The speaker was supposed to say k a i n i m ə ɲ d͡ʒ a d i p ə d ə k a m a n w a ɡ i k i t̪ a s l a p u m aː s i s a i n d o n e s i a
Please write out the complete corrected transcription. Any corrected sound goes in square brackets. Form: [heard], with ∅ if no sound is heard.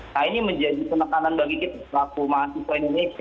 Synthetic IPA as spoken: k a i n i m ə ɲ d͡ʒ a d i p ə [n] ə k a [n] a n [b] a ɡ i k i t̪ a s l a [k] u m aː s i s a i n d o n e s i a